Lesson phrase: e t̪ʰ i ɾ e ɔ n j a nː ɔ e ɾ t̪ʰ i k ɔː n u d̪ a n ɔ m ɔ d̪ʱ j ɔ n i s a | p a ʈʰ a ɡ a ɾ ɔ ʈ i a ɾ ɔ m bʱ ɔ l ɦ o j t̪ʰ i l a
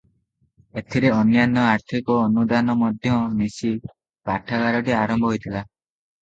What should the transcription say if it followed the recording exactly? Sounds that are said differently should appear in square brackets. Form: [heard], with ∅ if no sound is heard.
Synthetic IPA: e t̪ʰ i ɾ e ɔ n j a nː ɔ [a] ɾ t̪ʰ i k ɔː n u d̪ a n ɔ m ɔ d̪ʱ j ɔ n i s [i] | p a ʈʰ a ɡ a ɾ ɔ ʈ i a ɾ ɔ m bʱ ɔ [∅] ɦ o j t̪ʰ i l a

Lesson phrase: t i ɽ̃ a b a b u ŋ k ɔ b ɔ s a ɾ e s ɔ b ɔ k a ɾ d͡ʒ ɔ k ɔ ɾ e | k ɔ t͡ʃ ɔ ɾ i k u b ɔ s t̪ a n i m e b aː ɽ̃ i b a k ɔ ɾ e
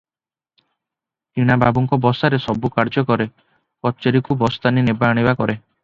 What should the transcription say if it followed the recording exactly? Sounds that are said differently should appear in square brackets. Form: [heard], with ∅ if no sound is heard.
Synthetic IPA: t i ɽ̃ a b a b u ŋ k ɔ b ɔ s a ɾ e s ɔ b [u] k a ɾ d͡ʒ ɔ k ɔ ɾ e | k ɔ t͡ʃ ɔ ɾ i k u b ɔ s t̪ a n i [n] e b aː ɽ̃ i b a k ɔ ɾ e

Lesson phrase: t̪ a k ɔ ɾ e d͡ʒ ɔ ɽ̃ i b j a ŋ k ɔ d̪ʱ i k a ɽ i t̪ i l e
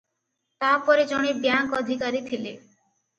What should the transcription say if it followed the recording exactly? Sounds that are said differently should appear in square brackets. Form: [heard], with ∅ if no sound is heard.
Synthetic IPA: t̪ a [p] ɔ ɾ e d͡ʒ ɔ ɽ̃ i b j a ŋ k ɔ d̪ʱ i k a [ɾ] i [t̪ʰ] i l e

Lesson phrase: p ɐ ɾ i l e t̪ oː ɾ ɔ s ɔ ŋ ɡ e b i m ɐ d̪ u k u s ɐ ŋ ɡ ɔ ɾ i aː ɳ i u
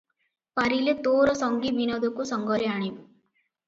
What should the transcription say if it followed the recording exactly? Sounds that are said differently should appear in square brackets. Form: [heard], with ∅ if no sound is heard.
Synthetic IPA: p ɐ ɾ i l e t̪ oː ɾ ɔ s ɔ ŋ ɡ [i] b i [n] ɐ d̪ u k u s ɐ ŋ ɡ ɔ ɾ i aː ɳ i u

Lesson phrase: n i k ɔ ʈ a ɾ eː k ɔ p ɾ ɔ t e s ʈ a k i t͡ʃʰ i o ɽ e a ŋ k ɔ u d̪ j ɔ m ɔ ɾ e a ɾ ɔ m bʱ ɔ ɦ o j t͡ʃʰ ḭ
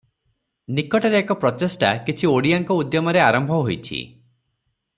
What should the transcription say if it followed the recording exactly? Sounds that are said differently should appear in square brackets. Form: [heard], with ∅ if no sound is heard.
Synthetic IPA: n i k ɔ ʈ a ɾ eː k ɔ p ɾ ɔ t e s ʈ a k i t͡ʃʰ i o ɽ [i] a ŋ k ɔ u d̪ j ɔ m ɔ ɾ e a ɾ ɔ m bʱ ɔ ɦ o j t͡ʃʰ ḭ

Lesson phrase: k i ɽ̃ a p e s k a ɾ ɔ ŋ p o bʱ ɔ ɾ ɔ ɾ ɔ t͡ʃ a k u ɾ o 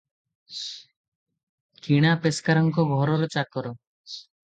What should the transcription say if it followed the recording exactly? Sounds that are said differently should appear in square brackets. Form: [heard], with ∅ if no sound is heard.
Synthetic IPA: k i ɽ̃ a p e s k a ɾ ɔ ŋ [k] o [ɡʱ] ɔ ɾ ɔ ɾ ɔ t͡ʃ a k [ɔ] ɾ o

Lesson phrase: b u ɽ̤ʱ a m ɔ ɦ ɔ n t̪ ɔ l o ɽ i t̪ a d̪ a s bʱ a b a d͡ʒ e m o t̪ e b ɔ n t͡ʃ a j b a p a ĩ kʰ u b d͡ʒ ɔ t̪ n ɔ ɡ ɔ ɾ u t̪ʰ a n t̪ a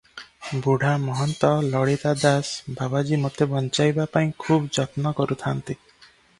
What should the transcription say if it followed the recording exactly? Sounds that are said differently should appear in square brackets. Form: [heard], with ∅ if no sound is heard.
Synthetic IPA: b u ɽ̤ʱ a m ɔ ɦ ɔ n t̪ ɔ l [ɔ] ɽ i t̪ a d̪ a s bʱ a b a d͡ʒ [i] m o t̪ e b ɔ n t͡ʃ a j b a p a ĩ kʰ u b d͡ʒ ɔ t̪ n ɔ [k] ɔ ɾ u t̪ʰ a n t̪ [i]

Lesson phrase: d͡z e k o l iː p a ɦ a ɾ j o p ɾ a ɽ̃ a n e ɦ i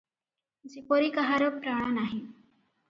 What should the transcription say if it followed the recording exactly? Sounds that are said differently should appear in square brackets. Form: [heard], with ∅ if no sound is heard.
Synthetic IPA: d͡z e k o [ɾ] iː [k] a ɦ a ɾ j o p ɾ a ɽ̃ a n [a] ɦ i

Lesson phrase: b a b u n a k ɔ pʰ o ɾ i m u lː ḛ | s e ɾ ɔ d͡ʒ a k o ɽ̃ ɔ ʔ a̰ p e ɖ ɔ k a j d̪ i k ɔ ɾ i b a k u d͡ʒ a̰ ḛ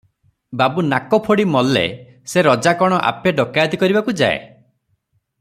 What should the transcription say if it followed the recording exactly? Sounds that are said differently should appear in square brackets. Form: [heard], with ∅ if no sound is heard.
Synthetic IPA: b a b u n a k ɔ pʰ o [ɽ] i m [ɔ] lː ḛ | s e ɾ ɔ d͡ʒ a k [ɔ] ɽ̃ ɔ ʔ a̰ p e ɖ ɔ k a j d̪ i k ɔ ɾ i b a k u d͡ʒ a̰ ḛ

